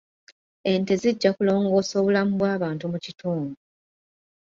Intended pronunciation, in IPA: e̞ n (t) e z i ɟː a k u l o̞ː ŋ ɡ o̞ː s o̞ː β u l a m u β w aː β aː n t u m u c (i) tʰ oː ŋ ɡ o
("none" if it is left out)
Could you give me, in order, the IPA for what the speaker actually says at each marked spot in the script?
t, i

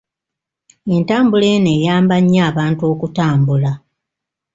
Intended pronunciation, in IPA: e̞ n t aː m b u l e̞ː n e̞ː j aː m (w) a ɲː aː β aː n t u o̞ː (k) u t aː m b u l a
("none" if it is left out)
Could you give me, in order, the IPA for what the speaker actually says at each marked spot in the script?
b, k

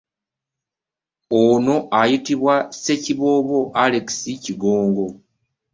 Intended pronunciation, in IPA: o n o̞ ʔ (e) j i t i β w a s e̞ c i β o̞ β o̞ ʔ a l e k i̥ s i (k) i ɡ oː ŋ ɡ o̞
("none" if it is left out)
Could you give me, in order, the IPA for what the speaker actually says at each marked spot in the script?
a, c

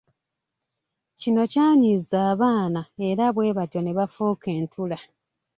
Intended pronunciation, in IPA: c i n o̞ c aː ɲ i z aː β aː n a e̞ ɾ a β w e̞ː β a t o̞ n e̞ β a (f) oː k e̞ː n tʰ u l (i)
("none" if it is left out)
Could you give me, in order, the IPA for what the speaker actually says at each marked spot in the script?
f, a

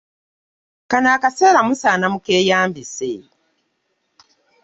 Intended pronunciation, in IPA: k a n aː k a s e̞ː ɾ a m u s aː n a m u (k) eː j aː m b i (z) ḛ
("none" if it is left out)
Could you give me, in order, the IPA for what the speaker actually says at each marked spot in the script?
k, s

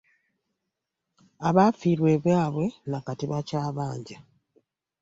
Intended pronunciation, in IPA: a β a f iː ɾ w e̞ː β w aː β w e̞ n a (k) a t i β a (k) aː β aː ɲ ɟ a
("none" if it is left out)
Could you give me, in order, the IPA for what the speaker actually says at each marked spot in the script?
k, c

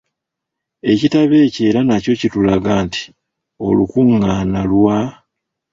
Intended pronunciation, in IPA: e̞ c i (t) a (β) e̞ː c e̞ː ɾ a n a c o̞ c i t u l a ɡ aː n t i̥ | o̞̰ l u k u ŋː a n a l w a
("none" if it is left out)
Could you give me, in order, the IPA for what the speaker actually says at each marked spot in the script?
t, β

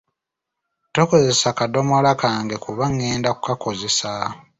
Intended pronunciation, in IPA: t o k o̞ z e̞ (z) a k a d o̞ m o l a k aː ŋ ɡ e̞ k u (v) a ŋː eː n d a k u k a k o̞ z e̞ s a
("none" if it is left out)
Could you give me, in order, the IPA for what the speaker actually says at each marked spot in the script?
s, β

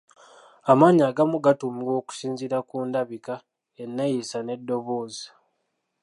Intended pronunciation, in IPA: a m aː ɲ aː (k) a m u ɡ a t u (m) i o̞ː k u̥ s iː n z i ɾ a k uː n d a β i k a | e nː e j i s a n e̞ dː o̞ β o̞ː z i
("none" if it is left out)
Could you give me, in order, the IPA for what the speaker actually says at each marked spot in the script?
ɡ, m

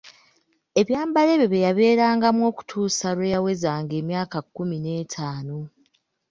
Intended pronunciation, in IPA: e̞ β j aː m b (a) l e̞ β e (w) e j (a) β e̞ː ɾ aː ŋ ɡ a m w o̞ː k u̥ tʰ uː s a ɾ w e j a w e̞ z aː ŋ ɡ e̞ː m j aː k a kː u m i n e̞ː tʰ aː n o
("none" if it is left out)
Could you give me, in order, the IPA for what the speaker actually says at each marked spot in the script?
a, β, a

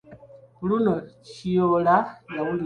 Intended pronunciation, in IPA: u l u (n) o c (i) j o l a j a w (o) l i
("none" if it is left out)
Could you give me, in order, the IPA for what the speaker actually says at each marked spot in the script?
n, i, u

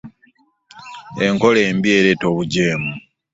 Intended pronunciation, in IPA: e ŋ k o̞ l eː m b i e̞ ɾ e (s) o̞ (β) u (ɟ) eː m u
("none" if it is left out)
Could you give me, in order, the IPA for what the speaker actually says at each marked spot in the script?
t, β, ɟ

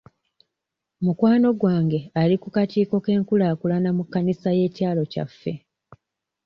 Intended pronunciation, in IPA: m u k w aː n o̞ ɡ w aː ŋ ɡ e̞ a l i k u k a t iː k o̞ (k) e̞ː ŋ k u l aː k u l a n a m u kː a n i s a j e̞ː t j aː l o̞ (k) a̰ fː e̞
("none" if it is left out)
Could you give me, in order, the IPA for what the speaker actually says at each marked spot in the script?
k, c

